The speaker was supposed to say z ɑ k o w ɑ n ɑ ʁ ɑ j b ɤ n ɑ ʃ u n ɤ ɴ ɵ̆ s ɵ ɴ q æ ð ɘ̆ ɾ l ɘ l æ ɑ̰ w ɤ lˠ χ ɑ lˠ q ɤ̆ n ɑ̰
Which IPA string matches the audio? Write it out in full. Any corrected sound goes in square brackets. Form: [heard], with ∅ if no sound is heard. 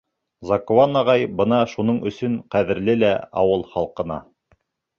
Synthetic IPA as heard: z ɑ k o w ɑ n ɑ ʁ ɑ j b ɤ n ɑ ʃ u n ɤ ɴ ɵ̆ s ɵ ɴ q æ ð ɘ̆ ɾ l ɘ l æ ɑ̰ w ɤ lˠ χ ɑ lˠ q ɤ̆ n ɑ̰

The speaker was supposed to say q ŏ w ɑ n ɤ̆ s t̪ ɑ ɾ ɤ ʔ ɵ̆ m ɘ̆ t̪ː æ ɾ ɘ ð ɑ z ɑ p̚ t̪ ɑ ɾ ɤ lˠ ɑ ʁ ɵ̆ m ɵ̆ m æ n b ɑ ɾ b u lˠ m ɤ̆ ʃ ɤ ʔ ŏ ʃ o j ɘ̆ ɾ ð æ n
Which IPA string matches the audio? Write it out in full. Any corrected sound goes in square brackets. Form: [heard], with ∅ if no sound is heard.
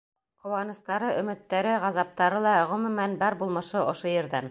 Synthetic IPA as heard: q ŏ w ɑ n ɤ̆ s t̪ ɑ ɾ ɤ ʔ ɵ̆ m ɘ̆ t̪ː æ ɾ ɘ [ʁ] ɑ z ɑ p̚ t̪ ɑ ɾ ɤ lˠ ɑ ʁ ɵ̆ m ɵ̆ m æ n b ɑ ɾ b u lˠ m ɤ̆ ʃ ɤ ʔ ŏ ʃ o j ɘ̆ ɾ ð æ n

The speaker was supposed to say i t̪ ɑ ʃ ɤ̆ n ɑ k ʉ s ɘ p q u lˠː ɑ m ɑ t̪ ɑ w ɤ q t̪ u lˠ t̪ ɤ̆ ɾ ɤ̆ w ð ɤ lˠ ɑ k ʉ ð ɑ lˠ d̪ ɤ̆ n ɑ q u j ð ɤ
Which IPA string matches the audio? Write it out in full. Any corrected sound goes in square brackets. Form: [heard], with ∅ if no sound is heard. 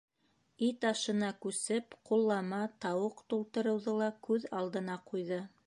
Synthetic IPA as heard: i t̪ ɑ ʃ ɤ̆ n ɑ k ʉ s ɘ p q u lˠː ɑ m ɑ t̪ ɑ w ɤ q t̪ u lˠ t̪ ɤ̆ ɾ ɤ̆ w ð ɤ lˠ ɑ k ʉ ð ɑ lˠ d̪ ɤ̆ n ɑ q u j ð ɤ

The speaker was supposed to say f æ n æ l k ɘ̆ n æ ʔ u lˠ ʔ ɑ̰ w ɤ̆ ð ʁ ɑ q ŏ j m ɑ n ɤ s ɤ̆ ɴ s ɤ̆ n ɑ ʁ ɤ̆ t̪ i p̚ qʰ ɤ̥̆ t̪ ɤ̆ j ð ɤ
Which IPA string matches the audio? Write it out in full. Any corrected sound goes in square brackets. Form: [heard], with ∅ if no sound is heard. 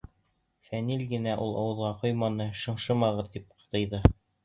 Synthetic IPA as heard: f æ n [i] l [ɡ] ɘ̆ n æ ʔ u lˠ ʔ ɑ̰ w ɤ̆ ð ʁ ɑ q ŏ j m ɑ n ɤ [ʃ] ɤ̆ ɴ [ʃ] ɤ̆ [m] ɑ ʁ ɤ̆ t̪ i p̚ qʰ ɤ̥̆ t̪ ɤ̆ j ð ɤ

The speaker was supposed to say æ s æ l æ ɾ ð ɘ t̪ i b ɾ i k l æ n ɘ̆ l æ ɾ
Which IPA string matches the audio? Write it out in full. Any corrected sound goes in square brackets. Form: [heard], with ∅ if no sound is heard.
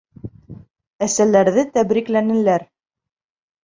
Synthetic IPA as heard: æ s æ l æ ɾ ð ɘ t̪ [æ] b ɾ i k l æ n ɘ̆ l æ ɾ

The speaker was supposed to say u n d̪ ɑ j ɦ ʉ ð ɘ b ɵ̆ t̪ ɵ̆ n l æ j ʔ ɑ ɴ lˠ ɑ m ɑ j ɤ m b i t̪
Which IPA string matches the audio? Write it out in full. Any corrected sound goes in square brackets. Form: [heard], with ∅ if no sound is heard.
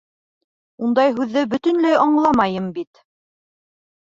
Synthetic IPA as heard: u n d̪ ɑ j ɦ ʉ [ðː] ɘ b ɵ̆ t̪ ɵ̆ n l æ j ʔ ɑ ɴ lˠ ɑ m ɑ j ɤ m b i t̪

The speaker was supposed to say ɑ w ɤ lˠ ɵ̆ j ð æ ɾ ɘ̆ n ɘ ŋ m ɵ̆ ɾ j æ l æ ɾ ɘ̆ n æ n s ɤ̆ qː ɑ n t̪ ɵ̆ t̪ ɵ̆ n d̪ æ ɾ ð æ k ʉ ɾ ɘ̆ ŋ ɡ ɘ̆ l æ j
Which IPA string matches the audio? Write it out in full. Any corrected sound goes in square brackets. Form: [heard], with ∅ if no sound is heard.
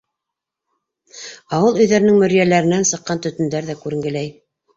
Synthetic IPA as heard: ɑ w ɤ lˠ ɵ̆ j ð æ ɾ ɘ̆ n ɘ ŋ m ɵ̆ ɾ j æ l æ ɾ ɘ̆ n æ n s ɤ̆ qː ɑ n t̪ ɵ̆ t̪ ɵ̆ n d̪ æ ɾ ð æ k ʉ ɾ ɘ̆ ŋ ɡ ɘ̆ l æ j

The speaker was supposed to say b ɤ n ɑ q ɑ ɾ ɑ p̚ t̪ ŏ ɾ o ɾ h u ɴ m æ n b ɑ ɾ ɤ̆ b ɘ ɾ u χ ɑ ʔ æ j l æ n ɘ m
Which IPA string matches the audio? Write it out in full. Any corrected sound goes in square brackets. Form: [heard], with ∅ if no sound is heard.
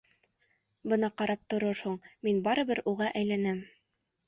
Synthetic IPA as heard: b ɤ n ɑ q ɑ ɾ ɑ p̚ t̪ ŏ ɾ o ɾ h u ɴ m [i] n b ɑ ɾ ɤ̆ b ɘ ɾ u [ʁ] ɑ ʔ æ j l æ n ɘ m

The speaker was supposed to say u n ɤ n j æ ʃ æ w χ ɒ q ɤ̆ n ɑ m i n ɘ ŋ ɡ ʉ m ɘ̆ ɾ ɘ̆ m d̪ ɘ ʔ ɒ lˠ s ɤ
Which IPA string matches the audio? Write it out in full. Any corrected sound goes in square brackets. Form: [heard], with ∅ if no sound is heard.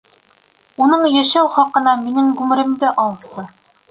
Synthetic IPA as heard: u n ɤ [ɴ] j æ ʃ æ w χ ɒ q ɤ̆ n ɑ m i n ɘ ŋ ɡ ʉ m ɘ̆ ɾ ɘ̆ m d̪ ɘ ʔ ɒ lˠ s ɤ

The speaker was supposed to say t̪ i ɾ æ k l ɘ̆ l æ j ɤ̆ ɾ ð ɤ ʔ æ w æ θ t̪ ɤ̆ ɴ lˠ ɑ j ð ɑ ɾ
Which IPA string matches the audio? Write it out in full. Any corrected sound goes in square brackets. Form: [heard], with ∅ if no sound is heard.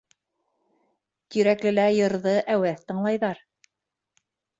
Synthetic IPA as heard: t̪ i ɾ æ k l ɘ̆ l æ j ɤ̆ ɾ ð ɤ ʔ æ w æ θ t̪ ɤ̆ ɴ lˠ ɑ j ð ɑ ɾ

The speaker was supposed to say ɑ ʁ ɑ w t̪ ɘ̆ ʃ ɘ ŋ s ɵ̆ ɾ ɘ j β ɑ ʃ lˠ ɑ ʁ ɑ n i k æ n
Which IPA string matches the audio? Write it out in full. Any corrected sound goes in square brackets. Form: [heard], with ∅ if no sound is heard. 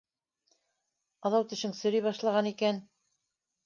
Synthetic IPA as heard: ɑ [ð] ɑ w t̪ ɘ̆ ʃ ɘ ŋ s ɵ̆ ɾ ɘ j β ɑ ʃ lˠ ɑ ʁ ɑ n i k æ n

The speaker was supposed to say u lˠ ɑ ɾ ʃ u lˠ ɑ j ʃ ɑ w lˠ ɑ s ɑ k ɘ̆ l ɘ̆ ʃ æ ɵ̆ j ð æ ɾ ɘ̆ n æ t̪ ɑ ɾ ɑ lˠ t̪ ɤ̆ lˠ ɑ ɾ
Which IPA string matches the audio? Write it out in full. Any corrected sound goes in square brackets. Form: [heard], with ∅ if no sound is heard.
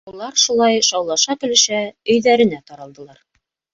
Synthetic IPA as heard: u lˠ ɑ ɾ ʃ u lˠ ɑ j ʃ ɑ w lˠ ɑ [ʃ] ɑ k ɘ̆ l ɘ̆ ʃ æ ɵ̆ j ð æ ɾ ɘ̆ n æ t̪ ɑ ɾ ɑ lˠ [d̪] ɤ̆ lˠ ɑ ɾ

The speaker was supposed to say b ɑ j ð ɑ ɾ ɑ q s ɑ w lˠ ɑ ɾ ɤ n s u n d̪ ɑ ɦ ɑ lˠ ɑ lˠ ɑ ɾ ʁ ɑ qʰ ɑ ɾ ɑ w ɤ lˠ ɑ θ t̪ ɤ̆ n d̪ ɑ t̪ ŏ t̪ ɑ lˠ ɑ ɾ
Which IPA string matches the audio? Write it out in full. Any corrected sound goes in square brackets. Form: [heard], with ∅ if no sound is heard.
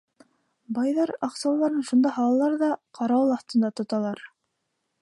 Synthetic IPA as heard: b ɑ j ð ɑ ɾ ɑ q s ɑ w lˠ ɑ ɾ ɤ n [ʃ] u n d̪ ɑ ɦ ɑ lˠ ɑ lˠ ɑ ɾ [ð] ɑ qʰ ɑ ɾ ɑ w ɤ lˠ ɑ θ t̪ ɤ̆ n d̪ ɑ t̪ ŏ t̪ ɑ lˠ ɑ ɾ

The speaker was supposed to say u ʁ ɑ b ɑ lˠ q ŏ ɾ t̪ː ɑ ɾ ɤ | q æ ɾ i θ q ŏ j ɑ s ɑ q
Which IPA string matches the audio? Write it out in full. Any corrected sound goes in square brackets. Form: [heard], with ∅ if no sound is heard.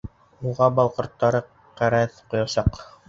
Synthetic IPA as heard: u ʁ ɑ b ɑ lˠ q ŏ ɾ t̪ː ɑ ɾ ɤ | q æ ɾ [æ] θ q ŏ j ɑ s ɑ q

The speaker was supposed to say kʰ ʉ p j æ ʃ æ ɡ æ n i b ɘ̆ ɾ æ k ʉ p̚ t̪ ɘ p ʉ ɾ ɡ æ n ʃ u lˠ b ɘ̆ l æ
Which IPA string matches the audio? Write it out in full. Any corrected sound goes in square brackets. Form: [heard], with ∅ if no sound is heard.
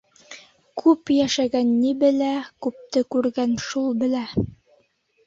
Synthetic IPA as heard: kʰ ʉ p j æ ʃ æ ɡ æ [nː] i b ɘ̆ [l] æ k ʉ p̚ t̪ ɘ [k] ʉ ɾ ɡ æ n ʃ u lˠ b ɘ̆ l æ

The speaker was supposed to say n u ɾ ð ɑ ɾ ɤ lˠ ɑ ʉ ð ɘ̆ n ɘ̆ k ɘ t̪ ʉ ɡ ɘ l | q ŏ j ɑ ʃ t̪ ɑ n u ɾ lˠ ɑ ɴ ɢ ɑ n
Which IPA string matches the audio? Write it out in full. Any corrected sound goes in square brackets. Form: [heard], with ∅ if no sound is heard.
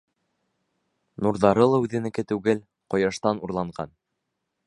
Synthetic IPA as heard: n u ɾ ð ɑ ɾ ɤ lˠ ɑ ʉ ð ɘ̆ n ɘ̆ k ɘ t̪ ʉ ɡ ɘ l | q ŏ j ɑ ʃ t̪ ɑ n u ɾ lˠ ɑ ɴ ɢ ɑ n

